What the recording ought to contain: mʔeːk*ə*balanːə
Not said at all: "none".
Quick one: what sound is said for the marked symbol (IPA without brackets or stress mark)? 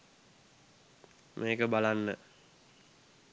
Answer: ə